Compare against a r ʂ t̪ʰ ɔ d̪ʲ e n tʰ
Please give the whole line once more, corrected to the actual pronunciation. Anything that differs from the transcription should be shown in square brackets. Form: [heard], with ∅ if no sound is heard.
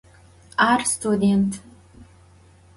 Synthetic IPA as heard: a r [s] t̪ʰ [u] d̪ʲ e n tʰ